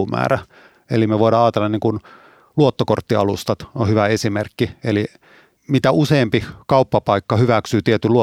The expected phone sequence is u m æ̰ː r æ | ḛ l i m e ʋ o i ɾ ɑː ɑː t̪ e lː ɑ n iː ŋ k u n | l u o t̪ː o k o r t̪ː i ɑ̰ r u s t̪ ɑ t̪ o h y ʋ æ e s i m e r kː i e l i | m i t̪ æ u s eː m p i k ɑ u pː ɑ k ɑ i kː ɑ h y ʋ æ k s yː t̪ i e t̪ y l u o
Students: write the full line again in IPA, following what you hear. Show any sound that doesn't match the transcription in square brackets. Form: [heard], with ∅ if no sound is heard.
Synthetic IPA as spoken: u m æ̰ː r æ | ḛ l i m e ʋ o i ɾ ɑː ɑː t̪ e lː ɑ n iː ŋ k u n | l u o t̪ː o k o r t̪ː i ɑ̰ [l] u s t̪ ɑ t̪ o h y ʋ æ e s i m e r kː i e l i | m i t̪ æ u s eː m p i k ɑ u pː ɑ [p] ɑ i kː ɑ h y ʋ æ k s yː t̪ i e t̪ y l u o